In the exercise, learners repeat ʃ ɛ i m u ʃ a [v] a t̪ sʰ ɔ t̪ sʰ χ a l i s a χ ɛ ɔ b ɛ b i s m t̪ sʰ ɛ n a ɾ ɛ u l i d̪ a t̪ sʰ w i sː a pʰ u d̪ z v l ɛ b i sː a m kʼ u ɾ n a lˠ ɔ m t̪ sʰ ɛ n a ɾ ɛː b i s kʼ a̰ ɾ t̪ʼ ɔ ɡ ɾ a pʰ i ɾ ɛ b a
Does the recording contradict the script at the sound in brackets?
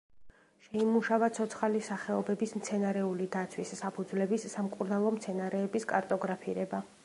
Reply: no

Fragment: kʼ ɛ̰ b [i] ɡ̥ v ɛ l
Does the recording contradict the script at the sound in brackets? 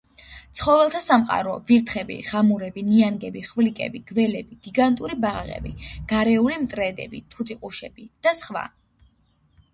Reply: no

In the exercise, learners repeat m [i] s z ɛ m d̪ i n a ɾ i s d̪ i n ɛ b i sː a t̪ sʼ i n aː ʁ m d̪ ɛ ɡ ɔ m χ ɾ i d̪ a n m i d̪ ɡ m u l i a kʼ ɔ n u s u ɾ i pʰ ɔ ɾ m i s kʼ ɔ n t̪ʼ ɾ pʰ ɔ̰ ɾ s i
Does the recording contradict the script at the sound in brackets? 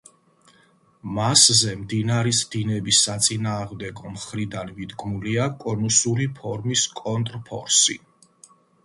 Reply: yes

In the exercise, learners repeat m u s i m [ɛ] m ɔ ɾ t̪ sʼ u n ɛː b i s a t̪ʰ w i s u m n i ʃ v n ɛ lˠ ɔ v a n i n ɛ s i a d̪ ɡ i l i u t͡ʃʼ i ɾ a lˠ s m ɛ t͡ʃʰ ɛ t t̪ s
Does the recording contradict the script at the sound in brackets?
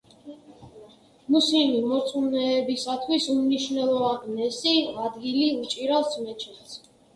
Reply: yes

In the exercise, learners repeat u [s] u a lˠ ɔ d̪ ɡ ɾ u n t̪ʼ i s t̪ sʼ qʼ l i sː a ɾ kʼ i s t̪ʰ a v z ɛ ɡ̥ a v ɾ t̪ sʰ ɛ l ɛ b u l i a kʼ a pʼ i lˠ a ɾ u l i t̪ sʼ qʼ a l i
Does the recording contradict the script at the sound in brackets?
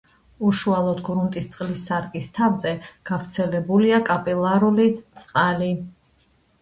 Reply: yes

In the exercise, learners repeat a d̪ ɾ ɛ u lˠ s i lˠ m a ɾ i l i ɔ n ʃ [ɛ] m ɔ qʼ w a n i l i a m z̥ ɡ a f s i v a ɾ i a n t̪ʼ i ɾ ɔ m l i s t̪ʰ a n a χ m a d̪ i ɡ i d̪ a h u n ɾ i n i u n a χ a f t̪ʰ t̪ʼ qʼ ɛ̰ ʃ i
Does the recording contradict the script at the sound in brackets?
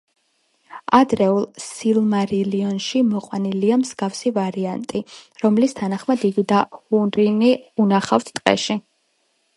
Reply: yes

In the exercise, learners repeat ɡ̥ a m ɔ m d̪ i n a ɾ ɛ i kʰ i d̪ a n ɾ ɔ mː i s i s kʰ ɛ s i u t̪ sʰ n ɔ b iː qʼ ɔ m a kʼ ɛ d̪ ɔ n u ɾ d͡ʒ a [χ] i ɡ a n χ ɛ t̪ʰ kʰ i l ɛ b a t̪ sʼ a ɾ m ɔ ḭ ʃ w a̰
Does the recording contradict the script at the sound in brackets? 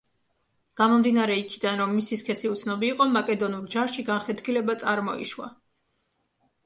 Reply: yes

